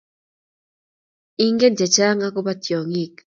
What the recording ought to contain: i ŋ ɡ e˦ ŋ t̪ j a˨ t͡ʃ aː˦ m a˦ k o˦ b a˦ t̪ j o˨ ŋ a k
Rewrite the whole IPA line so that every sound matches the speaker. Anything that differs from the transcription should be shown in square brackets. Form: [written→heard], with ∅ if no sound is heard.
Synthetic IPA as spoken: i ŋ ɡ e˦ [ŋ→n] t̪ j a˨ t͡ʃ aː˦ [m→ŋ] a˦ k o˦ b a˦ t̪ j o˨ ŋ [a→i] k